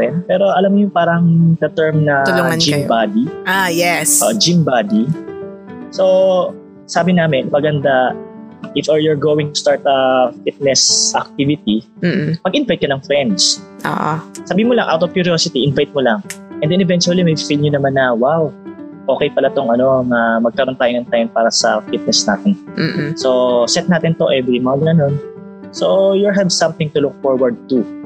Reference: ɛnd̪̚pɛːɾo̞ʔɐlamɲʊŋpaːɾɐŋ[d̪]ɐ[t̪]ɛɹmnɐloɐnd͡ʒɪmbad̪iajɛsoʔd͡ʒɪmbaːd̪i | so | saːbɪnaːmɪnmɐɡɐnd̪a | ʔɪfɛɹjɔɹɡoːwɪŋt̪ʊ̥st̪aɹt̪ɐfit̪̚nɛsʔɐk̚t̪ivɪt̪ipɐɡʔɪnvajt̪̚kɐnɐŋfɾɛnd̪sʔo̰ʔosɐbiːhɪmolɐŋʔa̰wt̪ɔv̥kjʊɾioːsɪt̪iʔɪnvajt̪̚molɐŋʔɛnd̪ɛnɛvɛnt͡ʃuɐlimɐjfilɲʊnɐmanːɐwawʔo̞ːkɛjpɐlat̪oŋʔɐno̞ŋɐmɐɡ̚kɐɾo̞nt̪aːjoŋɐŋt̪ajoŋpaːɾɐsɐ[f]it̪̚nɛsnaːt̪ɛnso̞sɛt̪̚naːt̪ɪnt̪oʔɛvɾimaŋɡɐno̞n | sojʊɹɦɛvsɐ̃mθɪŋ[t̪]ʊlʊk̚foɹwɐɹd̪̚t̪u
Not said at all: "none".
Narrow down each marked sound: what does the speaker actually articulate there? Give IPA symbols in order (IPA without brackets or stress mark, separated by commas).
d̪, t̪, f, t̪